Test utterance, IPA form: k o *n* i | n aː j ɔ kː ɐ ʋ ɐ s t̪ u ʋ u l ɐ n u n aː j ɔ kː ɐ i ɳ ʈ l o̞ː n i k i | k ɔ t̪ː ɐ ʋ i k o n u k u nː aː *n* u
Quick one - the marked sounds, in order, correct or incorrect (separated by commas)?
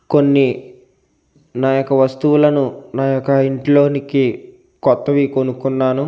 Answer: incorrect, correct